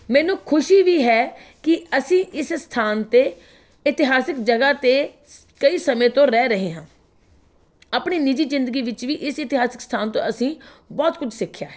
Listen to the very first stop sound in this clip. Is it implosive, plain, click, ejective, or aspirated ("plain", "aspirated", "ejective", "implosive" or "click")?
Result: aspirated